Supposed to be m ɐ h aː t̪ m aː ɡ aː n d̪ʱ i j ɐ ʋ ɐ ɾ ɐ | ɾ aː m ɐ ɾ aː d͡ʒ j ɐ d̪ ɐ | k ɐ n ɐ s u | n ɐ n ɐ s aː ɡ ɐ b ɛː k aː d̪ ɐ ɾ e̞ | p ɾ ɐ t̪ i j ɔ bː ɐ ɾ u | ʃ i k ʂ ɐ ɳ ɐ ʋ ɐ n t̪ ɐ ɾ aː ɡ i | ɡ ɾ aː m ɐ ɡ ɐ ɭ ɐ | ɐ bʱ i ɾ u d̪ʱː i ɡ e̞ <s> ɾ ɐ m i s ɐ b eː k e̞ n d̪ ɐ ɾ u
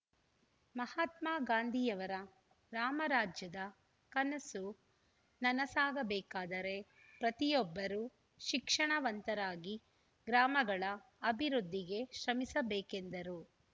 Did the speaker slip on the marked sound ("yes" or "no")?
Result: yes